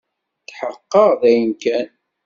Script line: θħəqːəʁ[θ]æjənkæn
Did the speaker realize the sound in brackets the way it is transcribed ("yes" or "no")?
no